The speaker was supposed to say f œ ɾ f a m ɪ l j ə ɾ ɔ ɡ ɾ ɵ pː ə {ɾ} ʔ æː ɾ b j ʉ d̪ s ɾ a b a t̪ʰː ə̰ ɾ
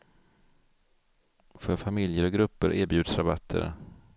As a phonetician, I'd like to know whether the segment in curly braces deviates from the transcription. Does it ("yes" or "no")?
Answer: no